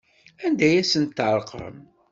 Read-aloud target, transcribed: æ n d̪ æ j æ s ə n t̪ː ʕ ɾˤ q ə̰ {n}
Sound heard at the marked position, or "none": m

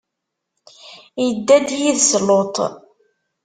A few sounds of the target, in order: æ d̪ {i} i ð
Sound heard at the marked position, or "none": j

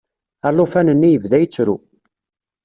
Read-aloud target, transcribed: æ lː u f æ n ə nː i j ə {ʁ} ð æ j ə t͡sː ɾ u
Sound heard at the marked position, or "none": v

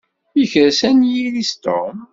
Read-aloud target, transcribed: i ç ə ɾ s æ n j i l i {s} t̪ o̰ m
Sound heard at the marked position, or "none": s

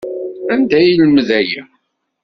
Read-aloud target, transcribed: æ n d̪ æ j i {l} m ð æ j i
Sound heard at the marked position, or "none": l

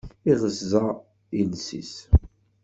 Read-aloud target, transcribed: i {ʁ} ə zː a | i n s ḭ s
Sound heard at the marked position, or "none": ʁ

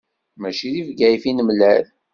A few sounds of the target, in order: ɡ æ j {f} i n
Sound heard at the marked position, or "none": f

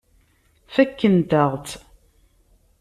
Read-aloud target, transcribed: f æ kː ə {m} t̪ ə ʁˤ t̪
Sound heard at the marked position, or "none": n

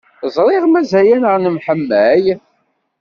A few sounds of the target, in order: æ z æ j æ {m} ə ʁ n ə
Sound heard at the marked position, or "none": n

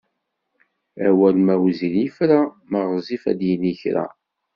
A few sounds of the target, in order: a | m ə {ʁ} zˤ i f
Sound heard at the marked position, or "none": ʁ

